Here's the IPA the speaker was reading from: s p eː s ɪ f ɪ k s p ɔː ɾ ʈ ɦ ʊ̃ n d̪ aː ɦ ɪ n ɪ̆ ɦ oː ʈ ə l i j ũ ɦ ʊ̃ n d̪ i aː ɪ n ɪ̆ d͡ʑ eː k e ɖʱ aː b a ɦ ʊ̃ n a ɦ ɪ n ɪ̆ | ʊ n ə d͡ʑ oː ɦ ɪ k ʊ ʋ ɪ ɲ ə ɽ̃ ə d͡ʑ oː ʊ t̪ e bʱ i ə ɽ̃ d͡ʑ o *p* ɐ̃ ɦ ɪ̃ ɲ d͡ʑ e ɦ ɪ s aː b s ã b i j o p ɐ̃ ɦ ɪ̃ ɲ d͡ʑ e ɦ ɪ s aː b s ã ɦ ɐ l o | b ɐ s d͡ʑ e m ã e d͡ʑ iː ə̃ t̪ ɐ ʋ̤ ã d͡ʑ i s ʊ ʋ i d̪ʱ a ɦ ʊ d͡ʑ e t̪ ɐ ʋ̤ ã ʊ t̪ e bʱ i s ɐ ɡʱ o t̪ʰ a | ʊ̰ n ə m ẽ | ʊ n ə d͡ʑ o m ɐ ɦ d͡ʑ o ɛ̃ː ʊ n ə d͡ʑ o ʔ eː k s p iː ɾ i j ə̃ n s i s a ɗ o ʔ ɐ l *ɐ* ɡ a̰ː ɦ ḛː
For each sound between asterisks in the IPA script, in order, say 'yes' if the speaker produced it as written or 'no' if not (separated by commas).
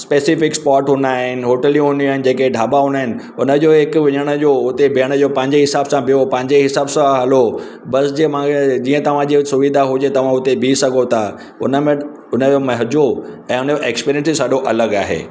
yes, no